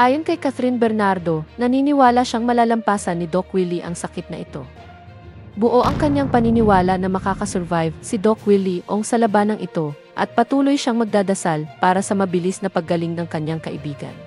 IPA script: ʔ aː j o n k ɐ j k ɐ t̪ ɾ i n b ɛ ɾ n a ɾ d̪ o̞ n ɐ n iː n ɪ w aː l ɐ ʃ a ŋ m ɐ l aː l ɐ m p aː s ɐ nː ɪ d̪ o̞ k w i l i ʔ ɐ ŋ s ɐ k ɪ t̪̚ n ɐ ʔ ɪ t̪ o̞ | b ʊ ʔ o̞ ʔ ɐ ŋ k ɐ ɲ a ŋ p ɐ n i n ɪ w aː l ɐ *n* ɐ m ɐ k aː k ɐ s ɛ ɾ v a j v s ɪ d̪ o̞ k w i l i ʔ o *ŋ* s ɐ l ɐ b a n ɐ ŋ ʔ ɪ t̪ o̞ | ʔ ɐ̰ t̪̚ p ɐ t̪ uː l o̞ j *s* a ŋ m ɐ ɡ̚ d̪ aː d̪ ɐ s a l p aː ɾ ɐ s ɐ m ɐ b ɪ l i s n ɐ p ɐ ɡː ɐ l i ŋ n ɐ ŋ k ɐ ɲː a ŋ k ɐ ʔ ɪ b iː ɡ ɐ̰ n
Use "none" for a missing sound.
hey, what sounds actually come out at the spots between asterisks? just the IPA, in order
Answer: n, ŋ, ʃ

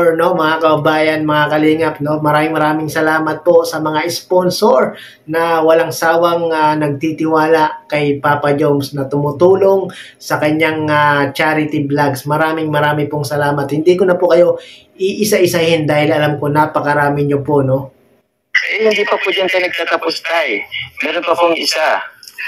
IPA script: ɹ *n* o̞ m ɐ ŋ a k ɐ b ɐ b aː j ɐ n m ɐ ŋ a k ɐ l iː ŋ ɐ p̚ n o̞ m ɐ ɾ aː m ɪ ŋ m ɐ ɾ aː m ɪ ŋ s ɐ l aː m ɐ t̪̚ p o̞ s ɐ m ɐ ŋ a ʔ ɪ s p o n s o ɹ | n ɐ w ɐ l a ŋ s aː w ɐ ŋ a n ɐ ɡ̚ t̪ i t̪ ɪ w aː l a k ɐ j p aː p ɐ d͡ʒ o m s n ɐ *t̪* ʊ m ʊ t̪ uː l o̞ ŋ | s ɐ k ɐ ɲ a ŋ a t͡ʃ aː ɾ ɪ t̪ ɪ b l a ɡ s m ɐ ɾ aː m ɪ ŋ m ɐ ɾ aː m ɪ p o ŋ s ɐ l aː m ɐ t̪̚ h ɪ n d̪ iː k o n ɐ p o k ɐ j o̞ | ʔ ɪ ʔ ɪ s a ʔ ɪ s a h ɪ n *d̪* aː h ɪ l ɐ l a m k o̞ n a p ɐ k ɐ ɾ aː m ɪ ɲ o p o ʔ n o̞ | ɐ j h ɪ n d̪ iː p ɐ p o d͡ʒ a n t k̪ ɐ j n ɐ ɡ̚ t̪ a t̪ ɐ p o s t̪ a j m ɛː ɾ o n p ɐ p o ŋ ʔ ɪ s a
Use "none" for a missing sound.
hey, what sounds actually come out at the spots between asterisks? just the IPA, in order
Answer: n, t̪, d̪

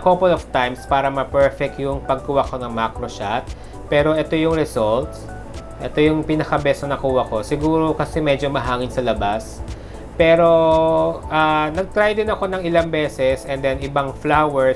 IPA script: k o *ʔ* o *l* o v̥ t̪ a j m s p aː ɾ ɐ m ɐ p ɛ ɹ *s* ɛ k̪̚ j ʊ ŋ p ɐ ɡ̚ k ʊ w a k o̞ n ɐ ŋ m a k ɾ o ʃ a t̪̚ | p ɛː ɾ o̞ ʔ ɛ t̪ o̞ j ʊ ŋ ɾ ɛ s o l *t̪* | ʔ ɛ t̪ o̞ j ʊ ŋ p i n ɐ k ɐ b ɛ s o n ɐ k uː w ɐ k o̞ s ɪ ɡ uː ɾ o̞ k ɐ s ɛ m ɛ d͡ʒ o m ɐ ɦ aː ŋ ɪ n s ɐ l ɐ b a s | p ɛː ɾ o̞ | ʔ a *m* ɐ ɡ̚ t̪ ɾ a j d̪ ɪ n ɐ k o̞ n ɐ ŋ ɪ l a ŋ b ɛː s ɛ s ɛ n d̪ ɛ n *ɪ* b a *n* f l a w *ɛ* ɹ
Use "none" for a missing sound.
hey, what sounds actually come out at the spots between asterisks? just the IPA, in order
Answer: p, l, f, t̪, n, ɪ, ŋ, ɛ

